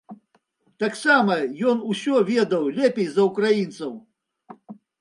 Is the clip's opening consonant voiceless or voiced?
voiceless